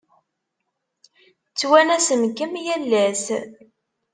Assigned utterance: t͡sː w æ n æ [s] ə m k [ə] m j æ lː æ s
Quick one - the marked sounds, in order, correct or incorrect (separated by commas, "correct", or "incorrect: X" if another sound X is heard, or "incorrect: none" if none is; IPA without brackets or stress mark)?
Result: correct, correct